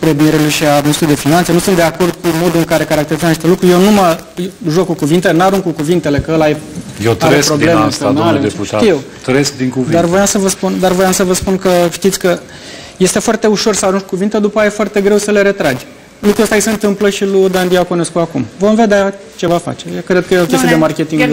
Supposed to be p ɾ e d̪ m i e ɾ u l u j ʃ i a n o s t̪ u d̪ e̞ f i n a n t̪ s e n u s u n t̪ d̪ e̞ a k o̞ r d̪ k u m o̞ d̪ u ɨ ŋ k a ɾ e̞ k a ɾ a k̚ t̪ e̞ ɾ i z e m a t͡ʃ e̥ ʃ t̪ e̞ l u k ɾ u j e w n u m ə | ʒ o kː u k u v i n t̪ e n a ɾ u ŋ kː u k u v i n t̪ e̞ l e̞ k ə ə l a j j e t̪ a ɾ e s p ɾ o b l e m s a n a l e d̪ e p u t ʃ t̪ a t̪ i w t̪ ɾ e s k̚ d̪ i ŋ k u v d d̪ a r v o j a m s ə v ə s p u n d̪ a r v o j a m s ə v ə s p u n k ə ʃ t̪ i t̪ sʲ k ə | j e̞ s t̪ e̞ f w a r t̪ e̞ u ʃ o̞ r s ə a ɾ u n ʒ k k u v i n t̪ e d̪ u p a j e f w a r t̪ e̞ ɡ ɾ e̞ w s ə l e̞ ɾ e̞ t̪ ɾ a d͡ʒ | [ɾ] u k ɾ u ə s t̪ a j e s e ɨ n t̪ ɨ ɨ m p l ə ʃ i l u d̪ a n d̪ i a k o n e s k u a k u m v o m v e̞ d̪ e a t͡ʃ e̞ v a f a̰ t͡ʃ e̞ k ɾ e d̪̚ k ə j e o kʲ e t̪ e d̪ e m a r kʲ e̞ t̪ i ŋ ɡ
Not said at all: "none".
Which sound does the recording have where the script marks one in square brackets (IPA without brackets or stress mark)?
l